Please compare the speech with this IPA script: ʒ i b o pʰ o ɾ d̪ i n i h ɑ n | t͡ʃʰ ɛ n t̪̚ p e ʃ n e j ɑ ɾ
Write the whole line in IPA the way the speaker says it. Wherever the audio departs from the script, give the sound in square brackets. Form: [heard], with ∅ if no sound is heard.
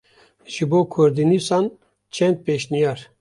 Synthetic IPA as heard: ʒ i b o [kʰ] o ɾ d̪ i n i [s] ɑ n | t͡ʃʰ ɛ n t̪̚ p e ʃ n [i] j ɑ ɾ